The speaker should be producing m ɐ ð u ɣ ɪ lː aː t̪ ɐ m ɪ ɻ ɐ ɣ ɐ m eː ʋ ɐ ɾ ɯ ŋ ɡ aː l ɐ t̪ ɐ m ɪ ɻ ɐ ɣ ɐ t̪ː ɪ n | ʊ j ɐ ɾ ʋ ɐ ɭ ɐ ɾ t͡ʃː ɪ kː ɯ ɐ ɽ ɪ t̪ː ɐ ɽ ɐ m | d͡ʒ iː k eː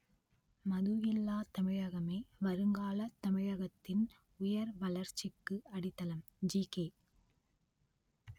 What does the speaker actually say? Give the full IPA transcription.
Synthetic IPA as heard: m ɐ ð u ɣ ɪ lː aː t̪ ɐ m ɪ ɻ ɐ ɣ ɐ m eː ʋ ɐ ɾ ɯ ŋ ɡ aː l ɐ t̪ ɐ m ɪ ɻ ɐ ɣ ɐ t̪ː ɪ n | ʊ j ɐ ɾ ʋ ɐ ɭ ɐ ɾ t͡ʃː ɪ kː ɯ ɐ ɽ ɪ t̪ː ɐ l ɐ m | d͡ʒ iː k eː